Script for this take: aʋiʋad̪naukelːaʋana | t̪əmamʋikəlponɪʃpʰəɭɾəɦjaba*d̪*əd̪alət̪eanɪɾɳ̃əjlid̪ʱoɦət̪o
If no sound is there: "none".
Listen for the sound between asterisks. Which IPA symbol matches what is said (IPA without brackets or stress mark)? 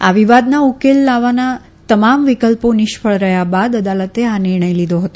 d̪